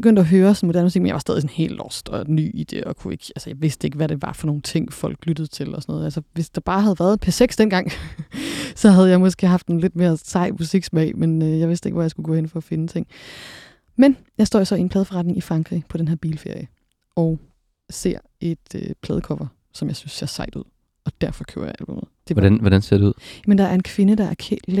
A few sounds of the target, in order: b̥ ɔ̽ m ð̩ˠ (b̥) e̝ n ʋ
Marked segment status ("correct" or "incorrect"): incorrect